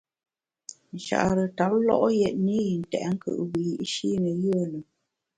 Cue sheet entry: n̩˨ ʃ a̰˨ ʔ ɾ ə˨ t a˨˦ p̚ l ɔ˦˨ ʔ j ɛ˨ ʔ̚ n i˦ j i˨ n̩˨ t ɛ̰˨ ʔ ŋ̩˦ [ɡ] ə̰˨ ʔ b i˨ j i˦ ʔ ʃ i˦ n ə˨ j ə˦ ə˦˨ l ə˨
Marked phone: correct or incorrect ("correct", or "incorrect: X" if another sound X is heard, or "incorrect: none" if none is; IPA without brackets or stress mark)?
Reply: incorrect: k